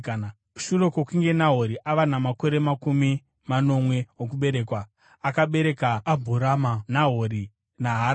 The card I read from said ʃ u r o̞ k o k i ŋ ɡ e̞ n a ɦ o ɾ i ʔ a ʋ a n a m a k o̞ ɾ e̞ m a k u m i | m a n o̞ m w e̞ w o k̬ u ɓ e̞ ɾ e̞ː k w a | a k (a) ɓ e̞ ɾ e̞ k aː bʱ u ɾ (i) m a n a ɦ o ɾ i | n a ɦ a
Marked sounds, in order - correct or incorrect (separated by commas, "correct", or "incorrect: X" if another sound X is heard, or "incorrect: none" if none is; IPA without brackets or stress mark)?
correct, incorrect: a